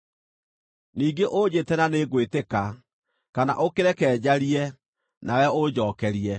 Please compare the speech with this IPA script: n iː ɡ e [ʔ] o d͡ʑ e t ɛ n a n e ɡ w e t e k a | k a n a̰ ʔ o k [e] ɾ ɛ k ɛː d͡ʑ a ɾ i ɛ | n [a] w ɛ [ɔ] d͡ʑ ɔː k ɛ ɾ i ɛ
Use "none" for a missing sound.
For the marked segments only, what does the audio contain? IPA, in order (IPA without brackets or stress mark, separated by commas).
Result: ʔ, e, a, o